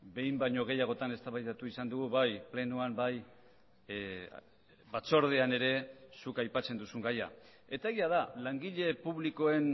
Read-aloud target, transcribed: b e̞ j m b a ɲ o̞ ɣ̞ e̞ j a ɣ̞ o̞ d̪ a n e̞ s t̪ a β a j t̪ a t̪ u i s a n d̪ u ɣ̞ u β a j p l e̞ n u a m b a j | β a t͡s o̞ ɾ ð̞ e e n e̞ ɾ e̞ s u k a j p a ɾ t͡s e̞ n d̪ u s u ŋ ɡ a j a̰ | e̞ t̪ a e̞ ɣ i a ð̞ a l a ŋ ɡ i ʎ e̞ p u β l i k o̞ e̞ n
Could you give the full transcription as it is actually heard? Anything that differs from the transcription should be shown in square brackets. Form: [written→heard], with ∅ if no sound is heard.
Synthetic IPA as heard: b e̞ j m b a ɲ o̞ ɣ̞ e̞ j a ɣ̞ o̞ [d̪→t̪] a n e̞ s t̪ a β a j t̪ a t̪ u i s a n d̪ u ɣ̞ u β a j p l e̞ n u a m b a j | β a t͡s o̞ ɾ ð̞ e [e→a] n e̞ ɾ e̞ s u k a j p a [ɾ→∅] t͡s e̞ n d̪ u s u ŋ ɡ a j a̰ | e̞ t̪ a e̞ ɣ i a ð̞ a l a ŋ ɡ i ʎ e̞ p u β l i k o̞ e̞ n